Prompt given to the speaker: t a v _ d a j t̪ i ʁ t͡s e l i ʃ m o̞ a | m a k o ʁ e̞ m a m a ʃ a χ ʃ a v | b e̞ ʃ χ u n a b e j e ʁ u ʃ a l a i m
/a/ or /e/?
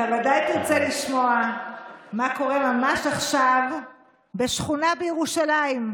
a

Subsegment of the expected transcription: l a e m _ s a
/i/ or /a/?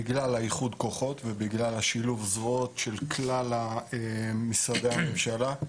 i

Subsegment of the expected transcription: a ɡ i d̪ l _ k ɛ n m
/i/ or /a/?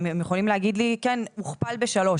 i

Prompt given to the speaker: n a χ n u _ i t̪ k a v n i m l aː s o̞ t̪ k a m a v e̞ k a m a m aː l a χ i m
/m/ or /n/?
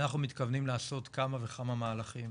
m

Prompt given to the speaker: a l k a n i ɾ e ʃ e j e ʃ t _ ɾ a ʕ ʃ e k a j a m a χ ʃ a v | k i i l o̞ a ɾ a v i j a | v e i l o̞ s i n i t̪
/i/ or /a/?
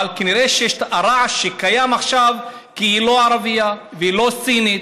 a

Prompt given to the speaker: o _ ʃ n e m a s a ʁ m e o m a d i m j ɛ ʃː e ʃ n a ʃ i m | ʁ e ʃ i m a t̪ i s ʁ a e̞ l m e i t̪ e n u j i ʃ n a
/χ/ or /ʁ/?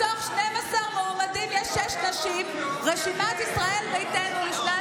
χ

